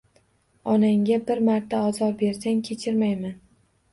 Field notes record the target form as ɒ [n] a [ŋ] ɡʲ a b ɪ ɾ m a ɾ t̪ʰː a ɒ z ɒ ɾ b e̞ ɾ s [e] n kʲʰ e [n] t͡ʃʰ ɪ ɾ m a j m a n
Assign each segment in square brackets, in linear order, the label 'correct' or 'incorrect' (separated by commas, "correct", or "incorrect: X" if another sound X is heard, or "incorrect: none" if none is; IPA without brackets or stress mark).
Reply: correct, correct, incorrect: a, incorrect: none